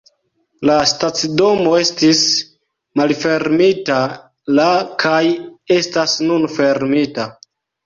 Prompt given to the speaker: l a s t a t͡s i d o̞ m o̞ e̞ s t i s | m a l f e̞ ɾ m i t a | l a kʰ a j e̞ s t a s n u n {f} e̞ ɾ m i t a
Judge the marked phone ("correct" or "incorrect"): correct